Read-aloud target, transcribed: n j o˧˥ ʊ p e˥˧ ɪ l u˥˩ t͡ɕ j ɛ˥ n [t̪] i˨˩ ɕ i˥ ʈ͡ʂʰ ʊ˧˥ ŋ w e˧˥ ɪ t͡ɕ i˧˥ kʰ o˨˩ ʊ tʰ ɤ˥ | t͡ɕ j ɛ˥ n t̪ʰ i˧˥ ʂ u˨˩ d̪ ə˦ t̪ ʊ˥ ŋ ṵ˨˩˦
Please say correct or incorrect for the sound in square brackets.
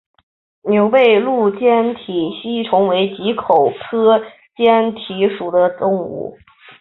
incorrect